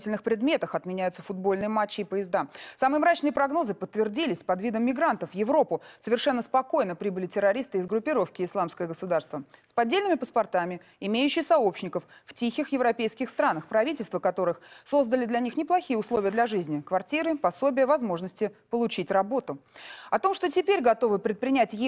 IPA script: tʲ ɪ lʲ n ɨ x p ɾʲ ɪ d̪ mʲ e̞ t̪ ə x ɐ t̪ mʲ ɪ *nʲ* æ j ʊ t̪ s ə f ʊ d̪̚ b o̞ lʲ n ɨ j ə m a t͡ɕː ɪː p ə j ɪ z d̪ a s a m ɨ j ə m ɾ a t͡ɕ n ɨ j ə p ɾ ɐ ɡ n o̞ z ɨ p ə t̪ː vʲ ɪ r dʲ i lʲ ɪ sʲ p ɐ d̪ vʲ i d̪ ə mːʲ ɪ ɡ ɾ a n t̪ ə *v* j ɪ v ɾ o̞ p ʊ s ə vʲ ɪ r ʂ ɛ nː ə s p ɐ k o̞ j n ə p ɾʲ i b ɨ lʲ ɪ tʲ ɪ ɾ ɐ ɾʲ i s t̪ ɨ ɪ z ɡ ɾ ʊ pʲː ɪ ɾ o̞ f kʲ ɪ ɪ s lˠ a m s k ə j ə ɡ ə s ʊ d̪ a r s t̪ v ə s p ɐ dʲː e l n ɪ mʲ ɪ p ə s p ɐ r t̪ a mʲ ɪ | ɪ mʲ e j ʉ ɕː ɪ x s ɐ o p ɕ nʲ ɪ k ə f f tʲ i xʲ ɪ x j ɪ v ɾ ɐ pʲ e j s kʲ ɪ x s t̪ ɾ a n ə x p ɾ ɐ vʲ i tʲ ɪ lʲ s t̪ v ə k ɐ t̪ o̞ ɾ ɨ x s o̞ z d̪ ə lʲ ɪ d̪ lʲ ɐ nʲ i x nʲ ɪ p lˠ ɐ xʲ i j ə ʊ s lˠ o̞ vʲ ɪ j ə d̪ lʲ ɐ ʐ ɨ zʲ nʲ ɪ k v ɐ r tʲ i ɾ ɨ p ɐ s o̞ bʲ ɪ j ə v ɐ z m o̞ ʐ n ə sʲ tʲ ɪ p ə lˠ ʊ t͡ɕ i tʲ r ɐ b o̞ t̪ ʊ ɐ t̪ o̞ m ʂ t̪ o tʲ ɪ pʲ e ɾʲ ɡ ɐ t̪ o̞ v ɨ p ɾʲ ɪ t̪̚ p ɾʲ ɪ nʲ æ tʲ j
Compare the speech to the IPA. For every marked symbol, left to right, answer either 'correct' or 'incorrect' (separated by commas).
correct, incorrect